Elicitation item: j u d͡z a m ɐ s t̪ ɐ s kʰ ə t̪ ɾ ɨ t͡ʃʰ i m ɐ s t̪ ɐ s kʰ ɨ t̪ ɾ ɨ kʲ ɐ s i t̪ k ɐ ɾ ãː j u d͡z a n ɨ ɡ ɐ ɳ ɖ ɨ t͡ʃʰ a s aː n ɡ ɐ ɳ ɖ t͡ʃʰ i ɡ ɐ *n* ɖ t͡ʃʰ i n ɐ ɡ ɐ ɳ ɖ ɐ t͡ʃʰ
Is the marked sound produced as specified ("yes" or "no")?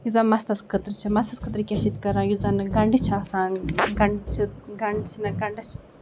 no